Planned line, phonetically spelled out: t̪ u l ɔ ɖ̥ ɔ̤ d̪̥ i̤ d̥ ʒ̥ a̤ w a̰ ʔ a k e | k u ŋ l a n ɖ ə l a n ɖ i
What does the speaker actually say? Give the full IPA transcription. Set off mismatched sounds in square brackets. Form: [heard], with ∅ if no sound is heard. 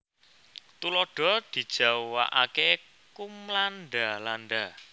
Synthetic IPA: t̪ u l ɔ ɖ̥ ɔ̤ d̪̥ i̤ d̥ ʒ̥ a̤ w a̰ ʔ a k e | k u [m] l a n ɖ [a] l a n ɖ [a]